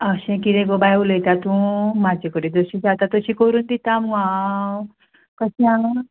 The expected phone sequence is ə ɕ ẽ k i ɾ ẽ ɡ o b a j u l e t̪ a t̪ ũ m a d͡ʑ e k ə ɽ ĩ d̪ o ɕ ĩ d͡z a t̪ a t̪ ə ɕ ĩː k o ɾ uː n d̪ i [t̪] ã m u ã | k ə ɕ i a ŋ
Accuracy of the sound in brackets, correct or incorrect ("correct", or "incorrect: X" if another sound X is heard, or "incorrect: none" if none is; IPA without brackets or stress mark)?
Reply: correct